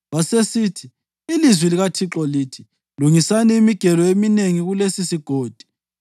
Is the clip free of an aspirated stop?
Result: no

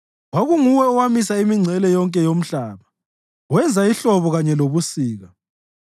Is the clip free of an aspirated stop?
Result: yes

